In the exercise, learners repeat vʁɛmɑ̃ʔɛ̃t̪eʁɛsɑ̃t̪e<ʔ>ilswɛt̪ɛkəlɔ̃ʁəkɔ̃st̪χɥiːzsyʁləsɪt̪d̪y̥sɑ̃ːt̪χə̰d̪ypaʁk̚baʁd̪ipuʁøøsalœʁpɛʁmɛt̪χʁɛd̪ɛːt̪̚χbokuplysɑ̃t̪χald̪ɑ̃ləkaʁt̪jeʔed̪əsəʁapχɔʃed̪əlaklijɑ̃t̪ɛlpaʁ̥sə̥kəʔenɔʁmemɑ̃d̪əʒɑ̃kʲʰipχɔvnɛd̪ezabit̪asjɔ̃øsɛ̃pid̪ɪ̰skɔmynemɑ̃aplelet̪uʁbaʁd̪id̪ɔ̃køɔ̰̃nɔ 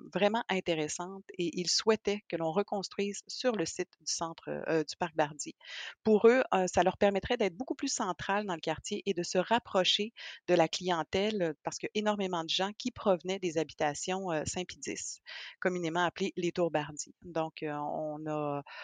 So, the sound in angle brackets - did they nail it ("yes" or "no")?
yes